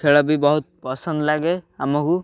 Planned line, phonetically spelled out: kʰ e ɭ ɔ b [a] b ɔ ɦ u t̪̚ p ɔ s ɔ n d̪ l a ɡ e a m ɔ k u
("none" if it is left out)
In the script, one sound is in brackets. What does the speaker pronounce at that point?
i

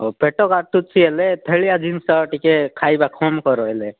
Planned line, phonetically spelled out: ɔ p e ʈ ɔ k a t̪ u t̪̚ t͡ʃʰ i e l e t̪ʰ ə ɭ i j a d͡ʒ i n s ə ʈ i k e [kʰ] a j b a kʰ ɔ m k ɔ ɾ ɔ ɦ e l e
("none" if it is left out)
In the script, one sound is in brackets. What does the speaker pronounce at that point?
kʰ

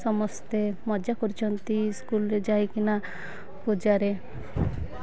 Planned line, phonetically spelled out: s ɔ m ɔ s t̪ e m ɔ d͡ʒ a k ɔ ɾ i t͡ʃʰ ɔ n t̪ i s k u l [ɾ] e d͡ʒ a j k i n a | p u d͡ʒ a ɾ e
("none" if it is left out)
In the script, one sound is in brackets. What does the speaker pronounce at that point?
ɾ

